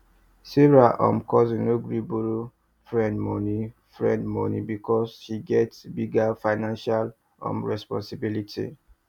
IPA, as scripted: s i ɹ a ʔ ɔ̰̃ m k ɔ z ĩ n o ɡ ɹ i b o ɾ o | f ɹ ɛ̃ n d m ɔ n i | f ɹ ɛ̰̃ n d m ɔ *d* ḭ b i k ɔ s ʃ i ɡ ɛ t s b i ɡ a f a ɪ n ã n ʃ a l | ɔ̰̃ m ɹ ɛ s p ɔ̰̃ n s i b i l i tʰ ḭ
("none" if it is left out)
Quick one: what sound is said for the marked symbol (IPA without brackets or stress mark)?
n